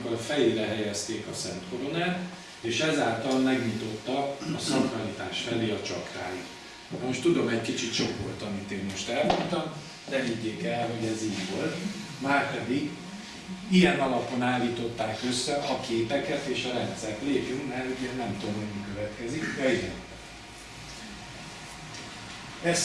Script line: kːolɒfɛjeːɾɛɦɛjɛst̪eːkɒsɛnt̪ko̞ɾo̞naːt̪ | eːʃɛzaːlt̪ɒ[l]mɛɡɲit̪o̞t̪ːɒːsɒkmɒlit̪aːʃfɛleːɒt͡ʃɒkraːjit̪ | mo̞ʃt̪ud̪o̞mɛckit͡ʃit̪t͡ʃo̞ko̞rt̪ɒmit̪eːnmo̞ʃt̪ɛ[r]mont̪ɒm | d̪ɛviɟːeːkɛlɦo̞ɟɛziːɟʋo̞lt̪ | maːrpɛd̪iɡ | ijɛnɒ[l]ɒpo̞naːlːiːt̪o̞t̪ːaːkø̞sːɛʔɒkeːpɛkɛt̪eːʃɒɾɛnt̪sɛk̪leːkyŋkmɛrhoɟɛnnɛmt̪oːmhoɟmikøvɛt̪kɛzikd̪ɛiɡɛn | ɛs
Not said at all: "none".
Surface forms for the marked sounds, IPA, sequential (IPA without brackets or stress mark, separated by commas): l, l, l